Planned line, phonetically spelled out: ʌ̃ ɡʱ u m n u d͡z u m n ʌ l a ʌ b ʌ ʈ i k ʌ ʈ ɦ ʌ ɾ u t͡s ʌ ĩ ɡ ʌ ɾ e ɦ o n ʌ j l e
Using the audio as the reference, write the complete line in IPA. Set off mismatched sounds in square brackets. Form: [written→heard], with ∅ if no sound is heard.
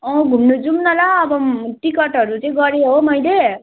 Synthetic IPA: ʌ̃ ɡʱ u m n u d͡z u m n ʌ l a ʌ b ʌ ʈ i k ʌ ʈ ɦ ʌ ɾ u t͡s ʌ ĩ ɡ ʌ ɾ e ɦ o [n→m] ʌ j l e